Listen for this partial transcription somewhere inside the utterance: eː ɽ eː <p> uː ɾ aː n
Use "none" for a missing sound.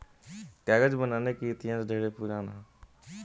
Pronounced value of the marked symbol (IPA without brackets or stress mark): p